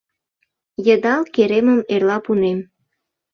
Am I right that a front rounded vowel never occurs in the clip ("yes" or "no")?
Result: yes